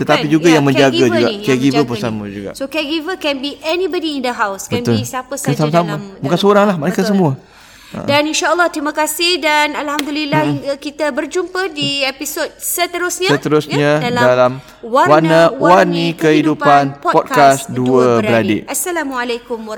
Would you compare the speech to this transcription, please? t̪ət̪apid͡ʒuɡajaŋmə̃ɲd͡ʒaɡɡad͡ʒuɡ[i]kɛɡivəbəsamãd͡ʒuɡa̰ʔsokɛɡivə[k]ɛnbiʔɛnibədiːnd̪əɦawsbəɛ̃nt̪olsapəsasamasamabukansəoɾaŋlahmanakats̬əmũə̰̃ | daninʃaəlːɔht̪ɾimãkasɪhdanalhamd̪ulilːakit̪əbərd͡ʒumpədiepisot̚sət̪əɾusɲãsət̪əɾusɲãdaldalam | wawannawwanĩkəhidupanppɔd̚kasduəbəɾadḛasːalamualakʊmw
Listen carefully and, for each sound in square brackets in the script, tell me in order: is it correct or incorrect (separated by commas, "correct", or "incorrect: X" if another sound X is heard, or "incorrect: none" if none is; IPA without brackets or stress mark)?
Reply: incorrect: a, correct